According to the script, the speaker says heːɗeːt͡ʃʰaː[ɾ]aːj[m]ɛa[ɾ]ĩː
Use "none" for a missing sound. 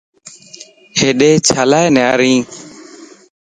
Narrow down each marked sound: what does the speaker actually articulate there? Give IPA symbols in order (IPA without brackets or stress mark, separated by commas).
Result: l, n, ɾ